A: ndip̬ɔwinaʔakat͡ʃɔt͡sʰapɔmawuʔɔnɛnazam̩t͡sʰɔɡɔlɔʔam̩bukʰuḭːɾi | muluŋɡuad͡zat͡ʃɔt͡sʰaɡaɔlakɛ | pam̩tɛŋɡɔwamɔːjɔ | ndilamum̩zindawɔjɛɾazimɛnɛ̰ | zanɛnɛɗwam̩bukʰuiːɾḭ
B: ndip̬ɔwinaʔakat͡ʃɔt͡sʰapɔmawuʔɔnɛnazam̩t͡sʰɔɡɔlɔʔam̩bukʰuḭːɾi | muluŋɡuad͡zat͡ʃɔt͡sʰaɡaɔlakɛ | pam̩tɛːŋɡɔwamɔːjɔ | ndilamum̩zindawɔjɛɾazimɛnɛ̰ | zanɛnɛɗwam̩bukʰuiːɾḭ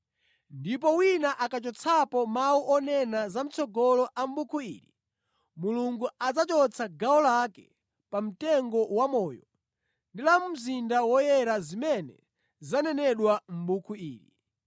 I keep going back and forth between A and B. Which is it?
A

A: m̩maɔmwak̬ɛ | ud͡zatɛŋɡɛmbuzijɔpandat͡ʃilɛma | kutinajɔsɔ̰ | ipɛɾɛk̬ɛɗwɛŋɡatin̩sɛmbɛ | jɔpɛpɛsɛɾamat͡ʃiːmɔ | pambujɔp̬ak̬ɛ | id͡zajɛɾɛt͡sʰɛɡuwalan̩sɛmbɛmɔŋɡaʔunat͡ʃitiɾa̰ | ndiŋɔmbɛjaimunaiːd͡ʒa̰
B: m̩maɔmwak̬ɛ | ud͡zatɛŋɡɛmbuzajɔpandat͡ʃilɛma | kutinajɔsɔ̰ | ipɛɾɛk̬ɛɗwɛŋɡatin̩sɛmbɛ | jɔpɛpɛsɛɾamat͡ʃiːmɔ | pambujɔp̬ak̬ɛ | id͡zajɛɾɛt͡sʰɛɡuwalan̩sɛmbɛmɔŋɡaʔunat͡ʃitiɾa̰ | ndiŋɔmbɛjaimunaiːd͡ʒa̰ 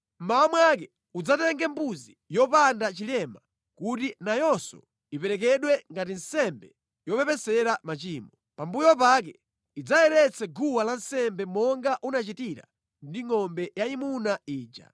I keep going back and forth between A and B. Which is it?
A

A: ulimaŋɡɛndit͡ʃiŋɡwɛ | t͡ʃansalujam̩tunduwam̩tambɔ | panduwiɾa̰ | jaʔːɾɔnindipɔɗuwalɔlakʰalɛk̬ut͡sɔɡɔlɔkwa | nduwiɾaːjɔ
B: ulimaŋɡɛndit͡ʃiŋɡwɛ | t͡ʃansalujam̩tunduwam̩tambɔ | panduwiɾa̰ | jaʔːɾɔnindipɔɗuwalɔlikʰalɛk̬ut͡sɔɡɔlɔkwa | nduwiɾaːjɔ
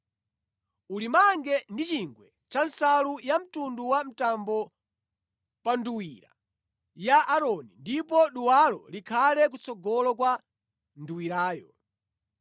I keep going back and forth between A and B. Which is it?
B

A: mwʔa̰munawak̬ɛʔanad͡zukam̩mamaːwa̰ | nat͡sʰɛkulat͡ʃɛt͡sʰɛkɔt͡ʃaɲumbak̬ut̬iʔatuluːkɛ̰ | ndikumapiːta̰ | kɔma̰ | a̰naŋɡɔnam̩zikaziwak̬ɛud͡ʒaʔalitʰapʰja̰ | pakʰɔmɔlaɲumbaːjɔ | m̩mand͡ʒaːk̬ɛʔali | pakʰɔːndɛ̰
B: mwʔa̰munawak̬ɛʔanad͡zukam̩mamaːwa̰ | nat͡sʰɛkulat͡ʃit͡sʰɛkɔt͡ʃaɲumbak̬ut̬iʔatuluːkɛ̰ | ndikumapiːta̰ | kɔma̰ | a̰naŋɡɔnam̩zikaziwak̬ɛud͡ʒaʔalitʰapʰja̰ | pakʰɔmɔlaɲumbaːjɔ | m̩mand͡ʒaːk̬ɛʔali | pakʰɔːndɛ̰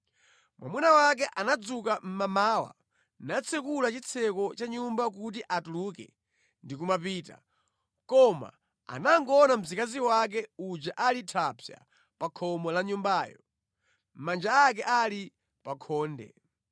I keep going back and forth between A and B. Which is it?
B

